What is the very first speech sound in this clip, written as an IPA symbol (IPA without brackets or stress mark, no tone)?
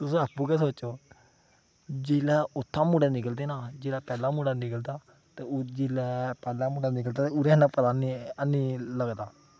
t̪